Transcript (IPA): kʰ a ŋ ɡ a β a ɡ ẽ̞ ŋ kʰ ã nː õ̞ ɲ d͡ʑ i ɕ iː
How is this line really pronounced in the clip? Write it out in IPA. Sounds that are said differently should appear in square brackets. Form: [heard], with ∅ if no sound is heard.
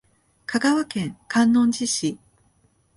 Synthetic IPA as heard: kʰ a [∅] ɡ a β a [k] ẽ̞ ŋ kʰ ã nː õ̞ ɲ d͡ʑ i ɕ [i]